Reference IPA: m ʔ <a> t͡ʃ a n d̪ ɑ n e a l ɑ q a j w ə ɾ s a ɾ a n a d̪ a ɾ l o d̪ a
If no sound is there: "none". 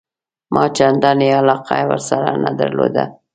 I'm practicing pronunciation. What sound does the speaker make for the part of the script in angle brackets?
ɑ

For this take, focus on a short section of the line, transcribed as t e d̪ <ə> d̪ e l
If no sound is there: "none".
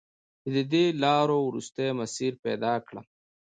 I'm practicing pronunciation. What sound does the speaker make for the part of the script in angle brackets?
ə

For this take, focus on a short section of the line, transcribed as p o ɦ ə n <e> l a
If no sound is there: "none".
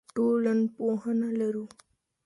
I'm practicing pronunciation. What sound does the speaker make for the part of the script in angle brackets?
a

